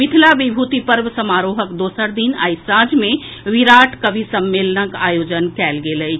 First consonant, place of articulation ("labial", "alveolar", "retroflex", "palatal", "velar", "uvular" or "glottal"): labial